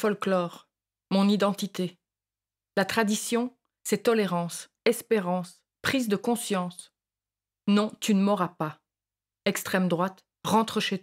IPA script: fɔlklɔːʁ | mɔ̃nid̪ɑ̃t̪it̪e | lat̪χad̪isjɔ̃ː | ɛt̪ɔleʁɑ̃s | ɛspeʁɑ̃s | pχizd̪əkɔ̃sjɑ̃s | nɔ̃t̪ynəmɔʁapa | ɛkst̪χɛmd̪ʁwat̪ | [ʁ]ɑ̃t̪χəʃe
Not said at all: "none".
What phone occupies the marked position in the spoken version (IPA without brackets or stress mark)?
ʁ